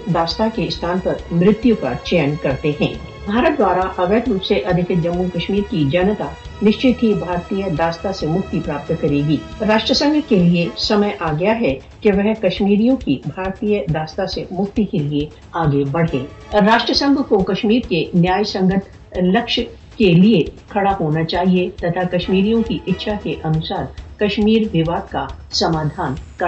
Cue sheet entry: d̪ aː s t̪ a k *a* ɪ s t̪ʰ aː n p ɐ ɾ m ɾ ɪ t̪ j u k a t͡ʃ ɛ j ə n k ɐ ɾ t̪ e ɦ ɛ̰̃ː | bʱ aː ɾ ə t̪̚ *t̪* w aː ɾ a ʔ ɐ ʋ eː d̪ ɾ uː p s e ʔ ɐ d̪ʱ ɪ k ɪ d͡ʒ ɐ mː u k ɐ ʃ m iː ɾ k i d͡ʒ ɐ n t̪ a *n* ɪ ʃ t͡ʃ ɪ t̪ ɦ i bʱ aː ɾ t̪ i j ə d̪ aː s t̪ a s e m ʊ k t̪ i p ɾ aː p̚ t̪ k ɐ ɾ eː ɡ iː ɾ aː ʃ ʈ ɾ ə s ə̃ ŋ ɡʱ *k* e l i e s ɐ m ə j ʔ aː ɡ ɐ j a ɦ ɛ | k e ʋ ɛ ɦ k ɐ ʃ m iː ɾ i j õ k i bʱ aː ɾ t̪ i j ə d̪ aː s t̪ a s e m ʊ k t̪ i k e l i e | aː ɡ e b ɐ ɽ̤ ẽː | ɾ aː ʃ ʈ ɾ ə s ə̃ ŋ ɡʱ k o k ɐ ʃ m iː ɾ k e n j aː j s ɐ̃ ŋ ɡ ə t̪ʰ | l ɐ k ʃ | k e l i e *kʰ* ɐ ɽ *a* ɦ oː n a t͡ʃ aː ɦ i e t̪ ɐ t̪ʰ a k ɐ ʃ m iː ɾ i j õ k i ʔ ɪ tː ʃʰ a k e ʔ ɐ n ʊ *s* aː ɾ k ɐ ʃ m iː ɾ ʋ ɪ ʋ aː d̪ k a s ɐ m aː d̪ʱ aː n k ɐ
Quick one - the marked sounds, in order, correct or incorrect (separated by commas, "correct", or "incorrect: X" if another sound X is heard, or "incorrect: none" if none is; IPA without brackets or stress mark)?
incorrect: e, incorrect: d̪, correct, correct, correct, correct, correct